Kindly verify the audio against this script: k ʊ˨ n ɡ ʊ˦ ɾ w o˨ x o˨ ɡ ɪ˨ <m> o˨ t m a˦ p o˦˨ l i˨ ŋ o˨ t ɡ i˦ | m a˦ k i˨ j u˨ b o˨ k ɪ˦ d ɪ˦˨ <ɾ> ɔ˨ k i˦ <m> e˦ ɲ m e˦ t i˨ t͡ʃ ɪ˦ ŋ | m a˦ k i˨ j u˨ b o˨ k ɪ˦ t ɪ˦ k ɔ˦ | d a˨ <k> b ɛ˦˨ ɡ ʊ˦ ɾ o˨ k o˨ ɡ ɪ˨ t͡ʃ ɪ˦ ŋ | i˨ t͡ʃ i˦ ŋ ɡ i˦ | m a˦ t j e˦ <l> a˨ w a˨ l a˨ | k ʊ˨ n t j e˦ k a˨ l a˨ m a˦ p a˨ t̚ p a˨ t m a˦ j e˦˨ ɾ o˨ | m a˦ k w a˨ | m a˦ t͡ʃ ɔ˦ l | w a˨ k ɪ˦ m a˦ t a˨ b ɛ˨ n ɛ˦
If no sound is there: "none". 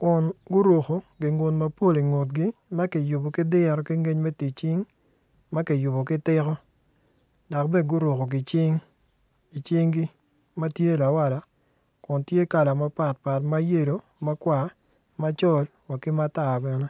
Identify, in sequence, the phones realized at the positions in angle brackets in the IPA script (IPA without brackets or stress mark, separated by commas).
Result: ŋ, ɾ, ŋ, k, l